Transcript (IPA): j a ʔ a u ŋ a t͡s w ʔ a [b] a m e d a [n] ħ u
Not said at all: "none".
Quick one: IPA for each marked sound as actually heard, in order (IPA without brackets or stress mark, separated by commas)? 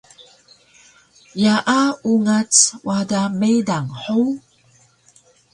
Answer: d, ŋ